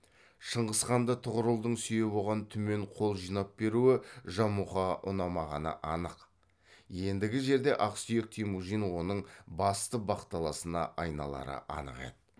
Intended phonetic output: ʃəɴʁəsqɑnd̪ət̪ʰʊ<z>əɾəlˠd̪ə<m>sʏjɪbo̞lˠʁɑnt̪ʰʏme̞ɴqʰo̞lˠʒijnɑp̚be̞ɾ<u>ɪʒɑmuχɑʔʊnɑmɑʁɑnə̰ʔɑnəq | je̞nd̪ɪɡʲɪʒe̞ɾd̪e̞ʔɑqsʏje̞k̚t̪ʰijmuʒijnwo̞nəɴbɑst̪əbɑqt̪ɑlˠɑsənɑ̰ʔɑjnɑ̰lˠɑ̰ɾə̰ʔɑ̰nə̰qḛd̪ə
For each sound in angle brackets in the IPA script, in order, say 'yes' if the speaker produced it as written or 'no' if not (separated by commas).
no, no, yes